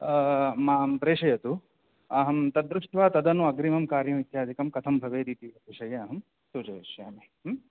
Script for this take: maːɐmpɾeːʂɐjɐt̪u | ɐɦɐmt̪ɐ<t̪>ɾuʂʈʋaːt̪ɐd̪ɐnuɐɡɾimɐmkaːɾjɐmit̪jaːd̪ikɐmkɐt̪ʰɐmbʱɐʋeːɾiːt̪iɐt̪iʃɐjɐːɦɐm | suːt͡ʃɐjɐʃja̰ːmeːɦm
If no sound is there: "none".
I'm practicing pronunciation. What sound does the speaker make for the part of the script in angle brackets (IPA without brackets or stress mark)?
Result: d̪